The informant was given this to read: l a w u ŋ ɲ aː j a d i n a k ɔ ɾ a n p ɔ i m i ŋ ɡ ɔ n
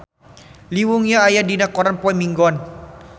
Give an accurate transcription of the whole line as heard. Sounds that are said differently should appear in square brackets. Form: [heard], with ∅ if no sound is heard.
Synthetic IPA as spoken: l [i] w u ŋ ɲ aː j a d i n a k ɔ ɾ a n p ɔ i m i ŋ ɡ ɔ n